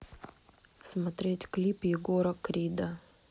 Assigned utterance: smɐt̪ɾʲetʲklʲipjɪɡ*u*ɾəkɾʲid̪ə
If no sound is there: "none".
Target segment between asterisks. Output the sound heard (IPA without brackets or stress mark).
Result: o